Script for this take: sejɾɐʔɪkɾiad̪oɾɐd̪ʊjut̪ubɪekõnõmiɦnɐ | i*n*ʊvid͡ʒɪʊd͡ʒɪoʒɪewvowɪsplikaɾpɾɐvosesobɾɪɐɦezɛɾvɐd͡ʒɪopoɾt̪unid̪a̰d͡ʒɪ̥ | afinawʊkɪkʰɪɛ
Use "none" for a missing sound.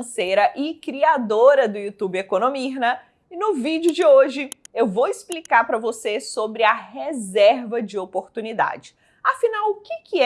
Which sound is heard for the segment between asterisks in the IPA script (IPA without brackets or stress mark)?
n